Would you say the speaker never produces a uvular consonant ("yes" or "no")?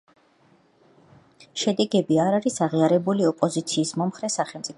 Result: no